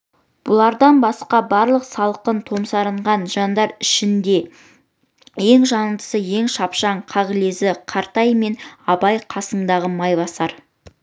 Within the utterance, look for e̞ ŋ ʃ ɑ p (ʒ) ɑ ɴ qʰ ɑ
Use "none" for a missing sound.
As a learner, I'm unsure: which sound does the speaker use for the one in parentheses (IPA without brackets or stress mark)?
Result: ʃ